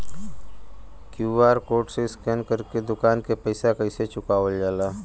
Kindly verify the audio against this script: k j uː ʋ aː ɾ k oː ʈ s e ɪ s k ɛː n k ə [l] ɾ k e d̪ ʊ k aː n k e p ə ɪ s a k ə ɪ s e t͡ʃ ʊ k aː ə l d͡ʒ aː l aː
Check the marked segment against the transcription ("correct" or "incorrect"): incorrect